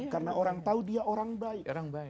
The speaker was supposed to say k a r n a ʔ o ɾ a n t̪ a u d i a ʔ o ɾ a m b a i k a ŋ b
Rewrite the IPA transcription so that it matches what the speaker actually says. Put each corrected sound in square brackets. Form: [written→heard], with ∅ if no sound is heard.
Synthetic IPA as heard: k a r n a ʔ o ɾ a [n→ŋ] t̪ a u d i a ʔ o ɾ a [m→ŋ] b a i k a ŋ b